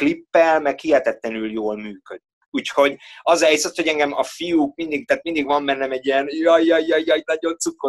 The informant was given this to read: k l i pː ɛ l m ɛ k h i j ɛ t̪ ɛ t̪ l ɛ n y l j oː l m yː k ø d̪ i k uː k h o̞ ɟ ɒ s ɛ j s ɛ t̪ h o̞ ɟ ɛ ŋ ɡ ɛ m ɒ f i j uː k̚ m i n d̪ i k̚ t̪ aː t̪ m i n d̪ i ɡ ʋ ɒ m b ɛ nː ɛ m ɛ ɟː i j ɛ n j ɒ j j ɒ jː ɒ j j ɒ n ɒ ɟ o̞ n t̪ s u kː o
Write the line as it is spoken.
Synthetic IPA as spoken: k l i pː ɛ l m ɛ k h i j ɛ t̪ ɛ t̪ l ɛ n y l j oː l m yː k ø d̪ i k uː c h o̞ ɟ ɒ z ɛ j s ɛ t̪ h o̞ ɟ ɛ ŋ ɡ ɛ m ɒ f i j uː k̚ m i n d̪ i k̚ t̪ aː t̪ m i n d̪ i ɡ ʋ ɒ m b ɛ nː ɛ m ɛ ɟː i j ɛ n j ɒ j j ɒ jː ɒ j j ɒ n ɒ ɟ o̞ n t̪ s u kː o